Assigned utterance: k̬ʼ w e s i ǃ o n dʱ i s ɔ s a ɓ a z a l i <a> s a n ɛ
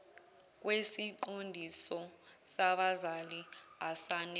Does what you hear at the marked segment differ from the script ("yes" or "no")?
no